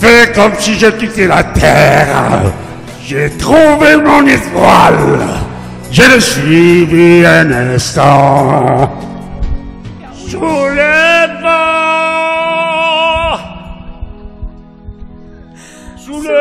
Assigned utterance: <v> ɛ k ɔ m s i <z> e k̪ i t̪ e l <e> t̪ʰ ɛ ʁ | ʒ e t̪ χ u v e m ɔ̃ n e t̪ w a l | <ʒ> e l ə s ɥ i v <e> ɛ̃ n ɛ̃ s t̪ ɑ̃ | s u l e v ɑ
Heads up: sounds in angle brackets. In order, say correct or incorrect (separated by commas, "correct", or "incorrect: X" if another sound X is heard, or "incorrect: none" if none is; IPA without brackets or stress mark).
incorrect: f, incorrect: ʒ, incorrect: a, correct, incorrect: i